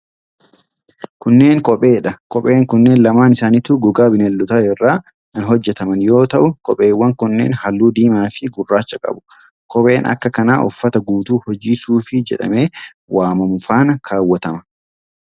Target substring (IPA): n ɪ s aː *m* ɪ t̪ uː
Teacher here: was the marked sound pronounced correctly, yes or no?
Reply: no